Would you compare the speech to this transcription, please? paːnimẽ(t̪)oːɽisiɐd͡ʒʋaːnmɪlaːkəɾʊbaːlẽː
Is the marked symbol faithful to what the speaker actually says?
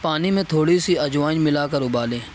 no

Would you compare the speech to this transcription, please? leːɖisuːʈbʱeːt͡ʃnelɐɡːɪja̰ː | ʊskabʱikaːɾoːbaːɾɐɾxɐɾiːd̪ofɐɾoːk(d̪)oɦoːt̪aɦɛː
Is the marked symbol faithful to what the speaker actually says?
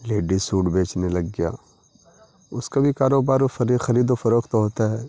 no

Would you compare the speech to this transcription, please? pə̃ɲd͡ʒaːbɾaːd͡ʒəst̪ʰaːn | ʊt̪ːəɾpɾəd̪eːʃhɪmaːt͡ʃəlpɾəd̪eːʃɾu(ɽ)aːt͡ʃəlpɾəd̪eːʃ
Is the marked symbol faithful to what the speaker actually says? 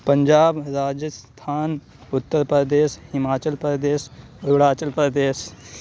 yes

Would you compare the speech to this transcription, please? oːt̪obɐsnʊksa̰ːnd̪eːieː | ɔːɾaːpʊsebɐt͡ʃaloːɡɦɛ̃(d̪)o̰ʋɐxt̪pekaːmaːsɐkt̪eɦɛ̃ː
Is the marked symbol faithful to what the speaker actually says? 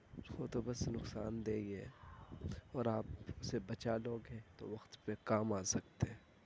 no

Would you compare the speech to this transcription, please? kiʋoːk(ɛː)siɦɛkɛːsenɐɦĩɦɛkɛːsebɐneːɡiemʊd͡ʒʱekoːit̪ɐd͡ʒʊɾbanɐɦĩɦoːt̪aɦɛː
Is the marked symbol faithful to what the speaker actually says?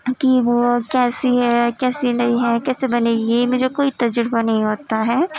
yes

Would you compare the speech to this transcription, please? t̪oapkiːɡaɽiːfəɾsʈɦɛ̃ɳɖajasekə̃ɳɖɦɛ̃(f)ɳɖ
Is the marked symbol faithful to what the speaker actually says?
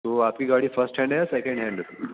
no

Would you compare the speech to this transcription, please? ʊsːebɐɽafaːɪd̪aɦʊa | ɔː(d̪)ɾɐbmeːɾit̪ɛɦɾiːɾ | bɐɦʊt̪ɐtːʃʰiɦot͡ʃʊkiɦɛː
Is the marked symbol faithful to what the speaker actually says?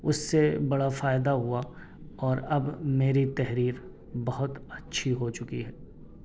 no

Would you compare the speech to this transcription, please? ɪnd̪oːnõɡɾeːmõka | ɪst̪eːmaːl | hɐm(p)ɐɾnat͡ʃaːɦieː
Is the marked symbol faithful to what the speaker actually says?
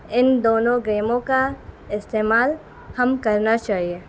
no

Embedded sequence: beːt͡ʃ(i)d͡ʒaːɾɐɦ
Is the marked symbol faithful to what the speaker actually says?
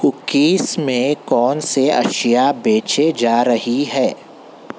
no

